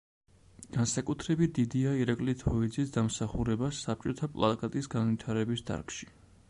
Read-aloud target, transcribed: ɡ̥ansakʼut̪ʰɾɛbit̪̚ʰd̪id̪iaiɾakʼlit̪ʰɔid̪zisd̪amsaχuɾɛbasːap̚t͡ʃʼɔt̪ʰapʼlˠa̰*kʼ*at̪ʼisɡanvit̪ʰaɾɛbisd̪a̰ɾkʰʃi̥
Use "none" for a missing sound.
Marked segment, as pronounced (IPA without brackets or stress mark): kʼ